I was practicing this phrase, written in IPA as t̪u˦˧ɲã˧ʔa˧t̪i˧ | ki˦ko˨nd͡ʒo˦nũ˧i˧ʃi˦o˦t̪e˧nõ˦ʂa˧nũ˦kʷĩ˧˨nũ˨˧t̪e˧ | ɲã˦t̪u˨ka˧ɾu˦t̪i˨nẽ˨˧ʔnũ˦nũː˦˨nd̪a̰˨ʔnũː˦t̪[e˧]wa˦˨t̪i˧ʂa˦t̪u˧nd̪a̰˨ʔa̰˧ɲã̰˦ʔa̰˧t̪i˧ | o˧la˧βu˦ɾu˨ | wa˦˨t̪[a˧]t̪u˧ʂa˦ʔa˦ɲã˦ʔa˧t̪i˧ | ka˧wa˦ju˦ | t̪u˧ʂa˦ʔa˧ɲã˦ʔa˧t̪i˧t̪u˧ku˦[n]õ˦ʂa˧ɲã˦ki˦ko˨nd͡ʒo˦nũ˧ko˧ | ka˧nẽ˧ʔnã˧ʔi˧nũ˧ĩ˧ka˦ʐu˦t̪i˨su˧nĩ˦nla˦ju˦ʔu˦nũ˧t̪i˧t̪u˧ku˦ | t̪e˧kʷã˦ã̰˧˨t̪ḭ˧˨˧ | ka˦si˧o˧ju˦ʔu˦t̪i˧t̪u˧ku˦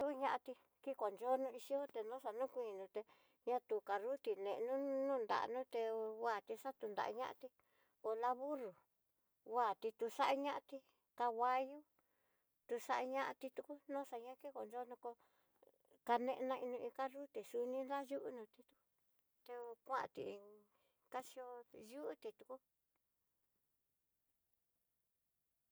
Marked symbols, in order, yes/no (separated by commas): yes, no, yes